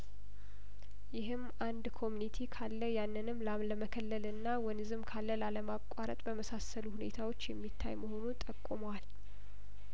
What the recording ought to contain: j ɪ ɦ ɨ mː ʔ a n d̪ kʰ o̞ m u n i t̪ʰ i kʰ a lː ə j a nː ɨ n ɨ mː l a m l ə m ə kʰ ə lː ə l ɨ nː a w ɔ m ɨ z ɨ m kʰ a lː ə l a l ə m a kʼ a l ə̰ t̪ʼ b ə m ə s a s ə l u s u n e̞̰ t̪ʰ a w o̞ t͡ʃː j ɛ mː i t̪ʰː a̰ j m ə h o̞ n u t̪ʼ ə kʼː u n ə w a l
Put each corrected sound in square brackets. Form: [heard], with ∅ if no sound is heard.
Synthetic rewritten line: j ɪ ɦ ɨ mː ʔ a n d̪ kʰ o̞ m u n i t̪ʰ i kʰ a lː ə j a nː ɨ n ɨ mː l a m l ə m ə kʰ ə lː ə l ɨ nː a w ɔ [n] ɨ z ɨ m kʰ a lː ə l a l ə m a kʼ a [ɾ] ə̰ t̪ʼ b ə m ə s a s ə l u [h] u n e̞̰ t̪ʰ a w o̞ t͡ʃː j ɛ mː i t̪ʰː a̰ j m ə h o̞ n u t̪ʼ ə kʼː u [m] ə w a l